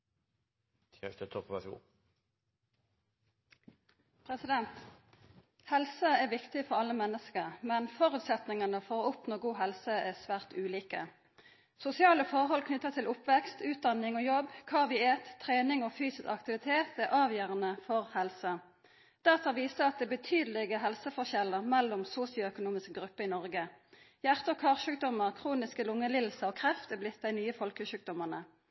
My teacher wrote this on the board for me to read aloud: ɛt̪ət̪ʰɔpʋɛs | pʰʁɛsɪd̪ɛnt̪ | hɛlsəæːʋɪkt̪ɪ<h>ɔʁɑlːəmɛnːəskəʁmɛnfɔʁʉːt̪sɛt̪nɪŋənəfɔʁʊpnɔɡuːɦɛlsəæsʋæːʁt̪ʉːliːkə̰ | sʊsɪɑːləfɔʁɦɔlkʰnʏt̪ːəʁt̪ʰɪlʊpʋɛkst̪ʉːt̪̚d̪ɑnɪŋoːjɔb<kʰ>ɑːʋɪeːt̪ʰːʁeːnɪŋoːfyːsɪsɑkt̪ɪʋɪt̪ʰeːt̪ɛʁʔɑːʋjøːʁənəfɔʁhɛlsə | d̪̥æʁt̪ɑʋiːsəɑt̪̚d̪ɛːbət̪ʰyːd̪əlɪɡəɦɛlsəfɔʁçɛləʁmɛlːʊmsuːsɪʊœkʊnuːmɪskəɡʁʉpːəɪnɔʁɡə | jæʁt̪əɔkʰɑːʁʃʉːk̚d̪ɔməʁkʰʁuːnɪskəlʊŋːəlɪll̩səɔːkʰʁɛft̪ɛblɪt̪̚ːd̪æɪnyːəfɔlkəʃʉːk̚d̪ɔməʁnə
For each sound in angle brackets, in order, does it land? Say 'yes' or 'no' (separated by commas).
no, yes